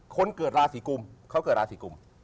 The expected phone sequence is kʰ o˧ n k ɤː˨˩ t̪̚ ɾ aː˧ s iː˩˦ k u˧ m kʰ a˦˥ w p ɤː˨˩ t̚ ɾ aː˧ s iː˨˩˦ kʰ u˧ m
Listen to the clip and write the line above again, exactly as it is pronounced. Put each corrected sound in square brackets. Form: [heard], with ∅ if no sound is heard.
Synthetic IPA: kʰ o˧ n k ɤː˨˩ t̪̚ ɾ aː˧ s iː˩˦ k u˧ m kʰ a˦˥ w [k] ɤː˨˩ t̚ ɾ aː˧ s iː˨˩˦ [k] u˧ m